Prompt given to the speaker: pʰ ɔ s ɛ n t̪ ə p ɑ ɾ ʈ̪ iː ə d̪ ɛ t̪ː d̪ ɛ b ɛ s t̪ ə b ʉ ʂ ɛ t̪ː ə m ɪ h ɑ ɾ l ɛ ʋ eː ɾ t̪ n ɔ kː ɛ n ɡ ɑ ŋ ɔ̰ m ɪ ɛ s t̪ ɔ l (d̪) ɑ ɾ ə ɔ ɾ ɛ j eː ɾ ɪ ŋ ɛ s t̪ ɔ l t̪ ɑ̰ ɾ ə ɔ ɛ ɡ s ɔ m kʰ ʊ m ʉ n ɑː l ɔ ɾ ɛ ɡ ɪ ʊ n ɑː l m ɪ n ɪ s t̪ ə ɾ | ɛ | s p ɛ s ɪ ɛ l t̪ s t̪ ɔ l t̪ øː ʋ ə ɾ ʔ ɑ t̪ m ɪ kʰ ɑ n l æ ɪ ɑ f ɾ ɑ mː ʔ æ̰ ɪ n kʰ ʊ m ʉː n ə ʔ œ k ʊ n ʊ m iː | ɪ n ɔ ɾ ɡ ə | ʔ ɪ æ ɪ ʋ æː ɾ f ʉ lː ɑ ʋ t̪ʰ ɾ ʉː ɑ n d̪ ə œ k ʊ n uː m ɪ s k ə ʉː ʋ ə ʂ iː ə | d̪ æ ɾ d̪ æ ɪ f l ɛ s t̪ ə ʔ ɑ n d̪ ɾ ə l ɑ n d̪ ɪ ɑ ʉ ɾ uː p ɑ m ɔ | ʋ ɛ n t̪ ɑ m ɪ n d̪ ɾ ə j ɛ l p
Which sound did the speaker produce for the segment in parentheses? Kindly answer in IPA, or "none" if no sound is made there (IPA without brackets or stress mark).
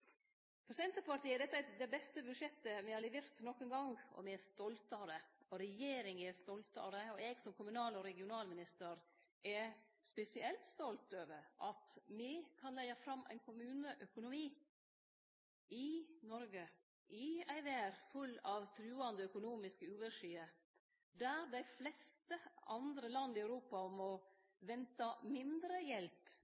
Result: t̪